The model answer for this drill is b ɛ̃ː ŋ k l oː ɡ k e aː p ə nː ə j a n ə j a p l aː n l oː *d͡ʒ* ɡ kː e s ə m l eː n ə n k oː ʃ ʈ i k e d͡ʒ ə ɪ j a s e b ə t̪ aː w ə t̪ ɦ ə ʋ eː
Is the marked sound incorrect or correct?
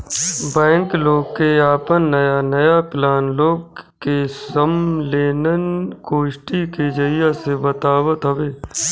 incorrect